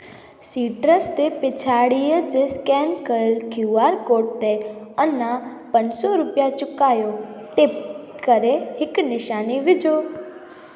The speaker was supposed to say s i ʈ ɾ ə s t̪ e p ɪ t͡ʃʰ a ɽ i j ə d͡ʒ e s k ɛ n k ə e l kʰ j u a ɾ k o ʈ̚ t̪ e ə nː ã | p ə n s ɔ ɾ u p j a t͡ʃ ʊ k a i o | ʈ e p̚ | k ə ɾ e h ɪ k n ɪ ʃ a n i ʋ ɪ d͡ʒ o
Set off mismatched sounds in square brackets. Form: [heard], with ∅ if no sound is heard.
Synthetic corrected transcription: s i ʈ ɾ ə s t̪ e p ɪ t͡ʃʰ a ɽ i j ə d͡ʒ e s k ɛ n k ə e l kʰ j u a ɾ k o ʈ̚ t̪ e ə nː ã | p ə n s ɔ ɾ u p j a t͡ʃ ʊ k a [j] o | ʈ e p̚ | k ə ɾ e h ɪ k n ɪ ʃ a n i ʋ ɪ d͡ʒ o